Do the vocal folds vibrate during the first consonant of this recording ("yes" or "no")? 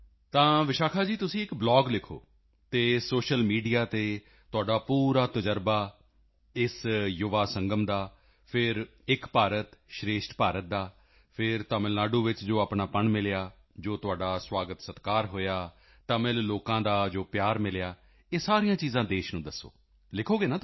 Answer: no